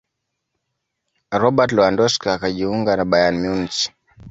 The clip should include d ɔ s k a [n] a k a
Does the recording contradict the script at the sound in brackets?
yes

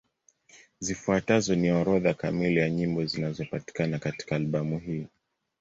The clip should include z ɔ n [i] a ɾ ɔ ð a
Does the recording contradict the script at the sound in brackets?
no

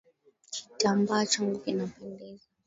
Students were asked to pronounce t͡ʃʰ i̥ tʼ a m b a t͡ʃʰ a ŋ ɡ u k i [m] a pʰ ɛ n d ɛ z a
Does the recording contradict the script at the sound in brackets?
yes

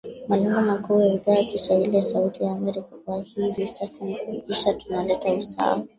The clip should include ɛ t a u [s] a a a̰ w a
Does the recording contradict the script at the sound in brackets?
no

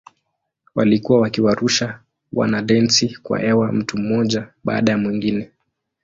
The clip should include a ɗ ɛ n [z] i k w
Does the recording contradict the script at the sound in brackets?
yes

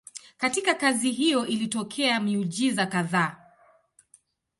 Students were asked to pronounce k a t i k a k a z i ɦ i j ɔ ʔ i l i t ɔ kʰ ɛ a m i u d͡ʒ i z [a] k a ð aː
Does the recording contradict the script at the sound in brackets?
no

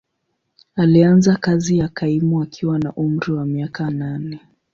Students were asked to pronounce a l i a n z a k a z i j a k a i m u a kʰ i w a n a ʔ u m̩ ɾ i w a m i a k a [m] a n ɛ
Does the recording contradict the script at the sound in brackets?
yes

